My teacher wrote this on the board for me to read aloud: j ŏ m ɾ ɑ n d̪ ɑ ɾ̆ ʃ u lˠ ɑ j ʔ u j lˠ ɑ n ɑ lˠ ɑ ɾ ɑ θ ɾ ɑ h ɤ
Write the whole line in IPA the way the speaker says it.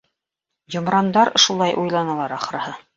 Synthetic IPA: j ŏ m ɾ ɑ n d̪ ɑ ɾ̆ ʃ u lˠ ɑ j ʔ u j lˠ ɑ n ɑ lˠ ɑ ɾ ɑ χ ɾ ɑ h ɤ